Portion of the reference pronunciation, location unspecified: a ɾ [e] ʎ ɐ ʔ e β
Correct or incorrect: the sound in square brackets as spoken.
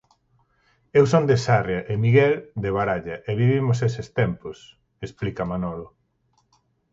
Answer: incorrect: a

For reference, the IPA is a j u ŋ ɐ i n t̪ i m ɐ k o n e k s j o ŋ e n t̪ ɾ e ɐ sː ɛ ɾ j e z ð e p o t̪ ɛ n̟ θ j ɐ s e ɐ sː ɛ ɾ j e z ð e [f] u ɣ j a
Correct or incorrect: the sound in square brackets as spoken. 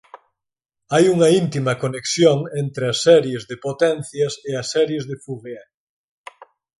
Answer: correct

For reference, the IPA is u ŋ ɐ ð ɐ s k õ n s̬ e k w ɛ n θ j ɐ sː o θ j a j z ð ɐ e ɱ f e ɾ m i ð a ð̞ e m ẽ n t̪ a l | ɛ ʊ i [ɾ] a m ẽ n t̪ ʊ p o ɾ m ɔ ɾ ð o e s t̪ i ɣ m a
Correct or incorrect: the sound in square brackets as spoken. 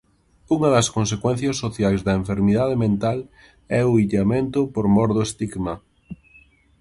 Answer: incorrect: ʎ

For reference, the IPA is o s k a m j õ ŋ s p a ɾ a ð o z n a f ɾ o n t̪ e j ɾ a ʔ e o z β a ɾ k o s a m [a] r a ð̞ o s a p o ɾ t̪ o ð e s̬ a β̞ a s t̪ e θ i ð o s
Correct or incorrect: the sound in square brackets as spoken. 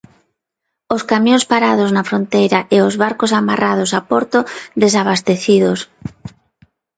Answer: correct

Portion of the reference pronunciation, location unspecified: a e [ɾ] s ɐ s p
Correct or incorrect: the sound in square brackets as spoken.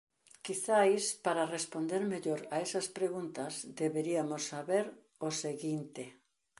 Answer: incorrect: none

